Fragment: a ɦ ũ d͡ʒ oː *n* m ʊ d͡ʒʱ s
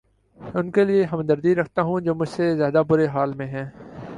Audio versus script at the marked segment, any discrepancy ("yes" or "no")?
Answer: yes